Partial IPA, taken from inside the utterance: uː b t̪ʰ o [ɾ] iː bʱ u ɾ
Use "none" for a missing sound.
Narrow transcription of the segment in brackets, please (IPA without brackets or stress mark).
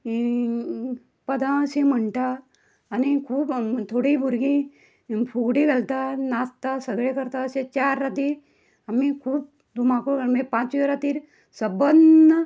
ɽ